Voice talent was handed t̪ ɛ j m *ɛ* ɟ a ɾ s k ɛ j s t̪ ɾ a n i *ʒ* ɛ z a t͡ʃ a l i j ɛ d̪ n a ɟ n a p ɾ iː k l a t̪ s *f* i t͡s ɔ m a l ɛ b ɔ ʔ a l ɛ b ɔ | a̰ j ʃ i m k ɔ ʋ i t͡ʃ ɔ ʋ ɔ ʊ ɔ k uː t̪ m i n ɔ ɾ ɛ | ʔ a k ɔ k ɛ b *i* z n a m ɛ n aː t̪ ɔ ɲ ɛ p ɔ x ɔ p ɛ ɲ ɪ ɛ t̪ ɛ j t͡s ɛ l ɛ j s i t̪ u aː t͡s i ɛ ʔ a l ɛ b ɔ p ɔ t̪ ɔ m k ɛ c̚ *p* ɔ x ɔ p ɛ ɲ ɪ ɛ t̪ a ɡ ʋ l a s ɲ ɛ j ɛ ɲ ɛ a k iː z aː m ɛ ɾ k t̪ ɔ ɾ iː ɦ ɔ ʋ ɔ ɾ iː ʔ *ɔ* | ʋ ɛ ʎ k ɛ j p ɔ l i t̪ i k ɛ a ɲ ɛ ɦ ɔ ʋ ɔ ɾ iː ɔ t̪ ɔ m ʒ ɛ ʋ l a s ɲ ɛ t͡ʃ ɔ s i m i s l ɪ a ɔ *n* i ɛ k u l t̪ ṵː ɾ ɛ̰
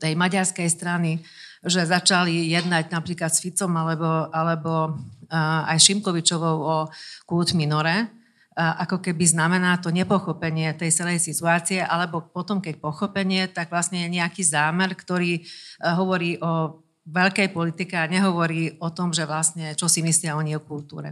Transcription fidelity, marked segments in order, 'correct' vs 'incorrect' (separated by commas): incorrect, correct, correct, correct, correct, correct, incorrect